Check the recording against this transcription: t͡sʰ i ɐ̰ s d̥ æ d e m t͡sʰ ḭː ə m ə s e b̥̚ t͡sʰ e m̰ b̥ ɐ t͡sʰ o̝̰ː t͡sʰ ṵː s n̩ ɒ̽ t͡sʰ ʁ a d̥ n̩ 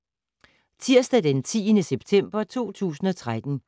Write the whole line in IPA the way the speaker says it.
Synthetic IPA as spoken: t͡sʰ i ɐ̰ s d̥ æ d e n t͡sʰ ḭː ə n ə s e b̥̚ t͡sʰ e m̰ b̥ ɐ t͡sʰ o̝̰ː t͡sʰ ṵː s n̩ ɒ̽ t͡sʰ ʁ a d̥ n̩